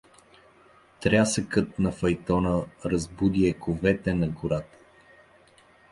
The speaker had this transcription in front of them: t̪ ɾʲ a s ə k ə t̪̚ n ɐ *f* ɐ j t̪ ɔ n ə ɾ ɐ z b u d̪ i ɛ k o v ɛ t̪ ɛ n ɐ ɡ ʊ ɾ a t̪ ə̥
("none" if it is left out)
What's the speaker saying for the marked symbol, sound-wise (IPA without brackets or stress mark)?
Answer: f